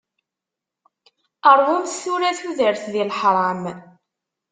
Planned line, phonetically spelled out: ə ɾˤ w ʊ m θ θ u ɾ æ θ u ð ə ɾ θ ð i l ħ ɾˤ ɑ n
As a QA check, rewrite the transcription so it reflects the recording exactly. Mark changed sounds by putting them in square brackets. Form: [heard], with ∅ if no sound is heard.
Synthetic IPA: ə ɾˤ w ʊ m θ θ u ɾ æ θ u ð ə ɾ θ ð i l ħ ɾˤ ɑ [m]

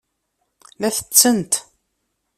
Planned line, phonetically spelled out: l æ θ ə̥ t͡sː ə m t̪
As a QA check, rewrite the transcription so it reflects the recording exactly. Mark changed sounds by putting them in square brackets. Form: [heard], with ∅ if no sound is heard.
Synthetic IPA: l æ θ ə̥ t͡sː ə [n] t̪

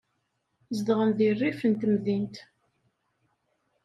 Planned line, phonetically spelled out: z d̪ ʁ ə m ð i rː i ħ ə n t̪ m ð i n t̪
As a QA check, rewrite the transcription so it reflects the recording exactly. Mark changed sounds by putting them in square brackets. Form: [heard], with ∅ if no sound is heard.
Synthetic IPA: z d̪ ʁ ə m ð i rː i [f] ə n t̪ m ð i n t̪

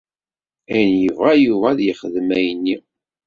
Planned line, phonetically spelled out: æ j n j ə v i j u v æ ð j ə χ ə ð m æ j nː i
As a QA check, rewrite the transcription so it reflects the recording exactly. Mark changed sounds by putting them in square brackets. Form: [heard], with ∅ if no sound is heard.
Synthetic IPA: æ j n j ə v [æ] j u v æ ð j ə χ ə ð m æ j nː i

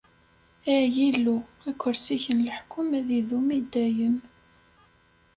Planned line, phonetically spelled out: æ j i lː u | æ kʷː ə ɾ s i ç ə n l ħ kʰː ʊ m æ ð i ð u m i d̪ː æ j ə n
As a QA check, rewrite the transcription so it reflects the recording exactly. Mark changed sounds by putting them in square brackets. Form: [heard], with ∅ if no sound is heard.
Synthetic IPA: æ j i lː u | æ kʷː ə ɾ s i ç ə n l ħ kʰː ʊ m æ ð i ð u m i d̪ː æ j ə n

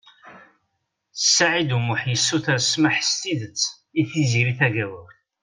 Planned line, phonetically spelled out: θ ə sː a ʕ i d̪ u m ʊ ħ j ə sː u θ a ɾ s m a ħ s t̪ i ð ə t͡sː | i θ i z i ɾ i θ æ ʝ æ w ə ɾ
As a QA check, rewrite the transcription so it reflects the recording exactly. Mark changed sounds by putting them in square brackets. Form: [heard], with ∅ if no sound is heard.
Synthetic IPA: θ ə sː a ʕ i d̪ u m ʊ ħ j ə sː u θ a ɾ s m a ħ s t̪ i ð ə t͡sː | i θ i z i ɾ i θ æ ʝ æ w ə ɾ

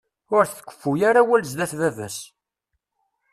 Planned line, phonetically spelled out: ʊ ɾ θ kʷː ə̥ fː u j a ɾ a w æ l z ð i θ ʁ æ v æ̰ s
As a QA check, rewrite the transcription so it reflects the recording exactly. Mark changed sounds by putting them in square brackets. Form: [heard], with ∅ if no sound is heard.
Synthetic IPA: ʊ ɾ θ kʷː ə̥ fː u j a ɾ a w æ l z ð [æ] θ [v] æ v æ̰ s

